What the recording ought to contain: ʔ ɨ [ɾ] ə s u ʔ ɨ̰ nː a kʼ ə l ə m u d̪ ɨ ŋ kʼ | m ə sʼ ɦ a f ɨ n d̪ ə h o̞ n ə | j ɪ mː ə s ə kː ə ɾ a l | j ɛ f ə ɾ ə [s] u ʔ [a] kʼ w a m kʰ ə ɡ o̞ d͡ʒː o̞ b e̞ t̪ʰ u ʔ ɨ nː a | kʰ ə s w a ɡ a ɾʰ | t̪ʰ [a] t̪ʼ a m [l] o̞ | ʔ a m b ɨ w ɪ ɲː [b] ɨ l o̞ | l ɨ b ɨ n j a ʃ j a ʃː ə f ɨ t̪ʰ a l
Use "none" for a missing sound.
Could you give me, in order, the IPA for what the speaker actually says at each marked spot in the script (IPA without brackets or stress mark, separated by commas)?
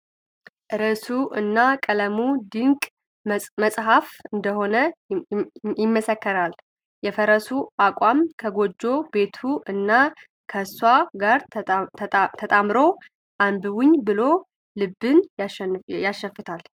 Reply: ɾ, s, a, ə, ɾ, b